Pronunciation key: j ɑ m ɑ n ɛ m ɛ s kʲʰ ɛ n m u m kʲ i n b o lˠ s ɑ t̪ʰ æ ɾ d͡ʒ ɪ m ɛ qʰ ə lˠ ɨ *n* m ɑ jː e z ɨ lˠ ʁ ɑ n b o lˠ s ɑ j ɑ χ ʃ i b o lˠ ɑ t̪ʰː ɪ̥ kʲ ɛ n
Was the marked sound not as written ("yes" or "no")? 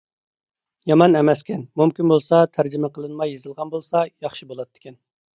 no